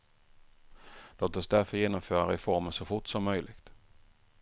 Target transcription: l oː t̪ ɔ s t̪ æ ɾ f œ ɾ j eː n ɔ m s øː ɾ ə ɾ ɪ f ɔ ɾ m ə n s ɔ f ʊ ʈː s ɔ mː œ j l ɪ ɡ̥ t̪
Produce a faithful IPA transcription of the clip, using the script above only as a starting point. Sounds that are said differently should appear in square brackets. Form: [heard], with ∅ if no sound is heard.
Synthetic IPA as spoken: l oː t̪ ɔ s [d̪] æ ɾ f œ ɾ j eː n ɔ m [f] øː ɾ [a] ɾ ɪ f ɔ ɾ m ə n s ɔ f ʊ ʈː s ɔ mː œ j l ɪ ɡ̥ t̪